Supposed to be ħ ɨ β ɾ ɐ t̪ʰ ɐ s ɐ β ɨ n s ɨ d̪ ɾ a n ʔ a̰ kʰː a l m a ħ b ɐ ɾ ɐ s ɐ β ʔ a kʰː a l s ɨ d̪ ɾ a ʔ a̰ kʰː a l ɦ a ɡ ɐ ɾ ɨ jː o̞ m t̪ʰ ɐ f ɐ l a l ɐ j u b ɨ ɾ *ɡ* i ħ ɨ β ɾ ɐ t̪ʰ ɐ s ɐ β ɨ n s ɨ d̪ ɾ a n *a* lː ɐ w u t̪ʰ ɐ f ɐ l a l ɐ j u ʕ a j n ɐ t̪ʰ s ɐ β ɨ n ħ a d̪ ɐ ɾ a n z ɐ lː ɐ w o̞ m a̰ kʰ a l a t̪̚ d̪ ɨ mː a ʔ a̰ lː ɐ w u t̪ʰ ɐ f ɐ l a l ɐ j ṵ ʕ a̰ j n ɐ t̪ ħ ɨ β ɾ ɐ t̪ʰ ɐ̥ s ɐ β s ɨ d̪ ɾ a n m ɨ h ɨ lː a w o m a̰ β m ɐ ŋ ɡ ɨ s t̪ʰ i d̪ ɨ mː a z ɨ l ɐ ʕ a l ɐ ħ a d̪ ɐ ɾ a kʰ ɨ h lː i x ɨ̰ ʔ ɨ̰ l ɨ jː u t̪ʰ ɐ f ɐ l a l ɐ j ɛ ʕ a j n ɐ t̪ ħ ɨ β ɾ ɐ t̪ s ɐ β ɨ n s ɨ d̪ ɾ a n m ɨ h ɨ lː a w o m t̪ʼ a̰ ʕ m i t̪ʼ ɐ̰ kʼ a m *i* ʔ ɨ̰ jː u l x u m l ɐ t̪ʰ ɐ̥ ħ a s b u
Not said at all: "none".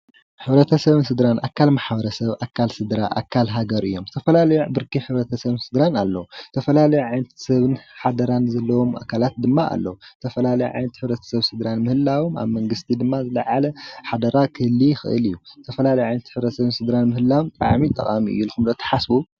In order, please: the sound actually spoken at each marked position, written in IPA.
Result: k, a, i

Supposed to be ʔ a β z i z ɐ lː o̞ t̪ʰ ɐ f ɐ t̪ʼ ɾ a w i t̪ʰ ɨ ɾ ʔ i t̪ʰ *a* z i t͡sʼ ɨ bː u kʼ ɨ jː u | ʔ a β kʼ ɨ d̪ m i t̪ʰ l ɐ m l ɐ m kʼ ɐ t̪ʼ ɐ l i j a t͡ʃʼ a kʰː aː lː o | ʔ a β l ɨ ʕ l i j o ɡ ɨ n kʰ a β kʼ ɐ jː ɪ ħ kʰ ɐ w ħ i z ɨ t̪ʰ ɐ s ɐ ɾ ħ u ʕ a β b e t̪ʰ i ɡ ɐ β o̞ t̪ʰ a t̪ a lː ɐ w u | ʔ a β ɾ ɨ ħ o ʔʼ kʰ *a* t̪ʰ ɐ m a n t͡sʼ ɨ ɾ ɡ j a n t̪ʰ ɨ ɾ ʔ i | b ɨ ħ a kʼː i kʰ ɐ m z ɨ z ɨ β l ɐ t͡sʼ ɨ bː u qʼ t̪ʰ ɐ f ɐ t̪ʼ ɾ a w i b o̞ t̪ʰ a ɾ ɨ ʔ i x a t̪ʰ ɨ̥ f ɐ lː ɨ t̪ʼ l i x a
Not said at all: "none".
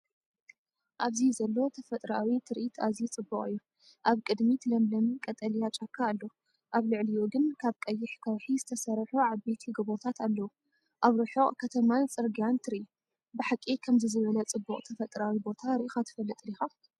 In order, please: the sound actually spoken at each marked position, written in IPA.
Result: a, ɐ

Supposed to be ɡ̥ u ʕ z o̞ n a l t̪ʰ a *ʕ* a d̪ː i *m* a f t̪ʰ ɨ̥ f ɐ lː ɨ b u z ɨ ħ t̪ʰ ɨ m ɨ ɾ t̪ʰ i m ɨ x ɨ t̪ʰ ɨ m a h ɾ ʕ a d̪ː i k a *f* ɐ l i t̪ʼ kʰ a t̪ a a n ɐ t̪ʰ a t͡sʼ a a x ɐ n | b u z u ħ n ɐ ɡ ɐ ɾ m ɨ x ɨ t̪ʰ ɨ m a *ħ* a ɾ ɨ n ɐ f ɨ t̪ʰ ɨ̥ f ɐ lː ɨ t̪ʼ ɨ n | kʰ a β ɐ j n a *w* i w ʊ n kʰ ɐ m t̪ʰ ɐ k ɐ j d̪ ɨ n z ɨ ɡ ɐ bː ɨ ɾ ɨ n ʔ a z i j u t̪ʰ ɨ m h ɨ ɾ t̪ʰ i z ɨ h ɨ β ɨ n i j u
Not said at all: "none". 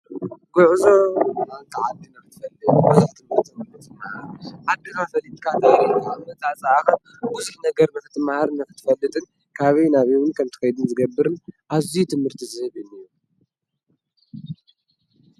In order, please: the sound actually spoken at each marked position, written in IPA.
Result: ʕ, n, f, h, β

